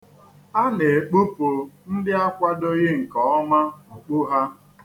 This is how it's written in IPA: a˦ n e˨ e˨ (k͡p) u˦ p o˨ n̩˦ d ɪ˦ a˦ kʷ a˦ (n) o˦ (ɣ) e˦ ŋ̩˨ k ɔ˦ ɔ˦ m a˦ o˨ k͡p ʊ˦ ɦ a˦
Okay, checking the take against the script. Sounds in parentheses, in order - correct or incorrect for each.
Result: correct, incorrect: d, correct

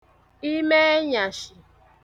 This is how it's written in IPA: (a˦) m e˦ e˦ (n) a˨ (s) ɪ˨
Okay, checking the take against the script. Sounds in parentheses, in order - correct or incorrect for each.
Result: incorrect: i˦, incorrect: ɲ, incorrect: ʃ

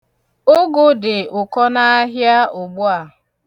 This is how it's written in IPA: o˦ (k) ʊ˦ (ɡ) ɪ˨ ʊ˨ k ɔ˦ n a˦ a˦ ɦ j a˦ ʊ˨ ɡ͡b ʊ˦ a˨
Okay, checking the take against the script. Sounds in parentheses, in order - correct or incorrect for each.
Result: incorrect: ɡ, incorrect: d

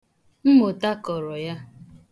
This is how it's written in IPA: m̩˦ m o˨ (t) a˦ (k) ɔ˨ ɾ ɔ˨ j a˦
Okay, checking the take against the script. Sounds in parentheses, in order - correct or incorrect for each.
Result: correct, correct

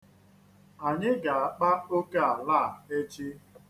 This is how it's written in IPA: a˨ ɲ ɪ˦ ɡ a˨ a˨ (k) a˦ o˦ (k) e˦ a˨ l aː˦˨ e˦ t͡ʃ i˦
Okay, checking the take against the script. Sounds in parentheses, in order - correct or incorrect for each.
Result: incorrect: k͡p, correct

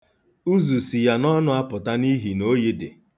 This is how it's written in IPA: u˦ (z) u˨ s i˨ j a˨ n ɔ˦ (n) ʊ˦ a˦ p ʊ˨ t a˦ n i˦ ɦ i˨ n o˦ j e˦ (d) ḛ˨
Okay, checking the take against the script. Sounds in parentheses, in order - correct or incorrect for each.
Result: correct, correct, correct

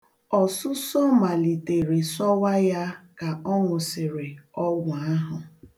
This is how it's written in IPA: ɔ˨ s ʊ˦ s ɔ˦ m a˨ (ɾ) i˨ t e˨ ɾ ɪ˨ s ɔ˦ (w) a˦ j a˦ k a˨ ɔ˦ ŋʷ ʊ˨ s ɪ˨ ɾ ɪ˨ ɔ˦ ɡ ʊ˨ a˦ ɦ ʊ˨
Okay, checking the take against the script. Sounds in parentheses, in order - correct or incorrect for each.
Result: incorrect: l, correct

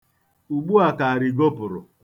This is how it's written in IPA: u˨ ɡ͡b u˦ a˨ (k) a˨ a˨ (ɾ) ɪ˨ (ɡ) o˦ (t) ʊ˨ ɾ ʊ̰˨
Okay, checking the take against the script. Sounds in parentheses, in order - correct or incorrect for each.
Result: correct, correct, correct, incorrect: p

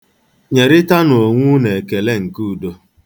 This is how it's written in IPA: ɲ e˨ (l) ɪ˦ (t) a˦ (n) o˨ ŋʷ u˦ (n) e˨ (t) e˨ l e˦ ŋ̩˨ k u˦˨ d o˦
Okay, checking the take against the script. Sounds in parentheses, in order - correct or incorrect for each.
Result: incorrect: ɾ, correct, correct, correct, incorrect: k

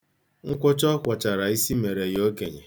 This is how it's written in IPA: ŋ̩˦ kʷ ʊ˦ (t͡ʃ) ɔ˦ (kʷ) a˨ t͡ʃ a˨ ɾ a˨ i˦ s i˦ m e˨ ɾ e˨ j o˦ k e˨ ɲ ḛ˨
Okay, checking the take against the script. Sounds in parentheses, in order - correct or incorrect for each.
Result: correct, correct

